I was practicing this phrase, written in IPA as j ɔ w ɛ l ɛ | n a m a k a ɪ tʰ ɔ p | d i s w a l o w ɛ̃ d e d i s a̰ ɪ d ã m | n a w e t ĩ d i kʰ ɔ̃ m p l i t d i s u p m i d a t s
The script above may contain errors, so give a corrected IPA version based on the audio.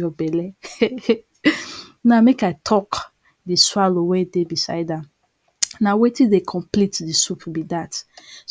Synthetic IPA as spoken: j ɔ b ɛ l ɛ | n a m e k a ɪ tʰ ɔ k | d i s w a l o w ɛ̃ d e b i s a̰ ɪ d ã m | n a w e t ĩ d e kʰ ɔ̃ m p l i t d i s u p b i d a t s

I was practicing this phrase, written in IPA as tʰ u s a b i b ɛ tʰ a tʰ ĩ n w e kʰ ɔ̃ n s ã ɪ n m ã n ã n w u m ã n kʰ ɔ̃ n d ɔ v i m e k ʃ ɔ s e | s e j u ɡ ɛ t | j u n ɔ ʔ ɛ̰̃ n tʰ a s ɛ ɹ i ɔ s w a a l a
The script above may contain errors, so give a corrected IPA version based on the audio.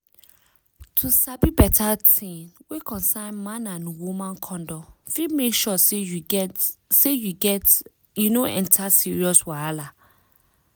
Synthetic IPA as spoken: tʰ u s a b i b ɛ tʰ a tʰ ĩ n w e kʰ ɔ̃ n s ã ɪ n m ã n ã n w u m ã n kʰ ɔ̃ n d ɔ f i m e k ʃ ɔ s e | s e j u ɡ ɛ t | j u n o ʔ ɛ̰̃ n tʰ a s i ɹ i ɔ s w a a l a

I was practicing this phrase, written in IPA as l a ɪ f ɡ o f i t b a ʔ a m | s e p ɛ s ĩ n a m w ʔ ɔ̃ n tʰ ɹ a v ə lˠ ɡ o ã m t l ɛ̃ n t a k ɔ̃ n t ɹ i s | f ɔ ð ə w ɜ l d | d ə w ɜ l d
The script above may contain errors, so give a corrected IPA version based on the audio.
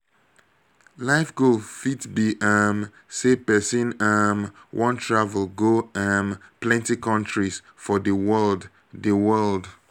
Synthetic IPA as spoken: l a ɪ f ɡ o f i t b i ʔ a m | s e p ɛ s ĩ n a m w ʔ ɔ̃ n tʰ ɹ a v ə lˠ ɡ o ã m p l ɛ̃ n t i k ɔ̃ n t ɹ i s | f ɔ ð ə w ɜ l d | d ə w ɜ l d

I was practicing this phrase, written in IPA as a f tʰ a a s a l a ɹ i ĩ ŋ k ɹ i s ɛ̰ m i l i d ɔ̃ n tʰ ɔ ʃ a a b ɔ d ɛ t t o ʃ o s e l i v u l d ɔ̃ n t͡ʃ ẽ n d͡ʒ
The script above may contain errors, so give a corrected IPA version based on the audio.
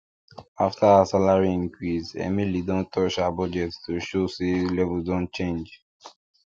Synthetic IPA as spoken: a f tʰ a a s a l a ɹ i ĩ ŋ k ɹ i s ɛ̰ m i l i d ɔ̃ n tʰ ɔ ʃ a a b ɔ d͡ʒ ɛ t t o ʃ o s e l ɛ v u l d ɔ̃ n t͡ʃ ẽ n d͡ʒ

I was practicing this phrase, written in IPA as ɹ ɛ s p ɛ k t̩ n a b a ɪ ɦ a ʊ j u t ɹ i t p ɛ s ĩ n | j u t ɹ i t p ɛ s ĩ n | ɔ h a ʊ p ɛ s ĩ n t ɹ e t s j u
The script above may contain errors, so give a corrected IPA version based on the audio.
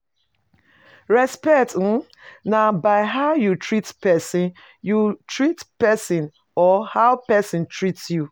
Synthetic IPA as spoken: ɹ ɛ s p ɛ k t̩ n a b a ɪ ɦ a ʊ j u t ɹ i t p ɛ s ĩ n | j u t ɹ i t p ɛ s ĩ n | ɔ h a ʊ p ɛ s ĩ n t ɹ i t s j u

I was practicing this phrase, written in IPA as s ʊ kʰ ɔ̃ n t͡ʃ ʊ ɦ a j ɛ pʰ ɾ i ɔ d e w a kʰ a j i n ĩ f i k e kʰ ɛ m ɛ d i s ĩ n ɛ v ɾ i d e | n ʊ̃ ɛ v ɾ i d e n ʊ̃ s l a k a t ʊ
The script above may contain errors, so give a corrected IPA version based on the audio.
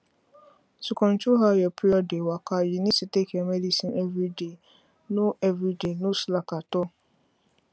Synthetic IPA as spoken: s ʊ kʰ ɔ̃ n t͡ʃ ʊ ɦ a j ɛ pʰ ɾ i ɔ d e w a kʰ a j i n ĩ s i t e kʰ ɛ m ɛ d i s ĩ n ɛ v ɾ i d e | n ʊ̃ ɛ v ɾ i d e n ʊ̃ s l a k a t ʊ

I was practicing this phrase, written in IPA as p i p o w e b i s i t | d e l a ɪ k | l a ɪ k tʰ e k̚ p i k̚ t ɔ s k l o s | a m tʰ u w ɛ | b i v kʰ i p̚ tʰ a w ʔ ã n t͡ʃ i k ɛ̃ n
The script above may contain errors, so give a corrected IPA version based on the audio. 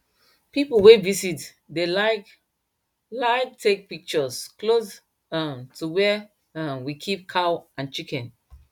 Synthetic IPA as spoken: p i p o w e v i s i t | d e l a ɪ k | l a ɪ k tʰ e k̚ p i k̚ t͡ʃ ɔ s k l o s | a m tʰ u w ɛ | w i kʰ i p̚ kʰ a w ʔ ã n t͡ʃ i k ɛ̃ n

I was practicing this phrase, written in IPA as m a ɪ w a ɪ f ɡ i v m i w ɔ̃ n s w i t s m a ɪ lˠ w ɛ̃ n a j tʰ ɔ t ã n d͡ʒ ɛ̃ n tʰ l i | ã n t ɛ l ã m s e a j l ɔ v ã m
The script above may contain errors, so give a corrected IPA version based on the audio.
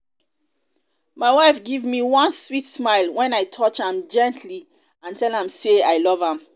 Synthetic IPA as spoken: m a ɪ w a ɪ f ɡ i v m i w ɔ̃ n s w i t s m a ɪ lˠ w ɛ̃ n a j tʰ ɔ t͡ʃ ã m d͡ʒ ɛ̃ n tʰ l i | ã n t ɛ l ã m s e a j l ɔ v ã m

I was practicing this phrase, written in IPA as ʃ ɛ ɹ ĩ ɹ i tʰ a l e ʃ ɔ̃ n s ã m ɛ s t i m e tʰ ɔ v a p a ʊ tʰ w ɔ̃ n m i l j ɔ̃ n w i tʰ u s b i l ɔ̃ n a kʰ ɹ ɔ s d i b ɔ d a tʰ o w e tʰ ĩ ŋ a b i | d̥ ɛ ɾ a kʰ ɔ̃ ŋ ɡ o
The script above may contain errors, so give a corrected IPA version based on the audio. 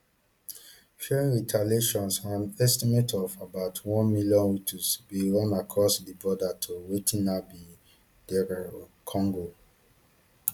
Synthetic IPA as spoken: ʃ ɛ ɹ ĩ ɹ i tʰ a l e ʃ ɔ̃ n s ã n ɛ s t i m e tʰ ɔ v a b a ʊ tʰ w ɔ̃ n m i l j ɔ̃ n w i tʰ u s b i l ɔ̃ n a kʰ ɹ ɔ s d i b ɔ d a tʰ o w e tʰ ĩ n a b i | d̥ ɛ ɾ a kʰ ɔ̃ ŋ ɡ o

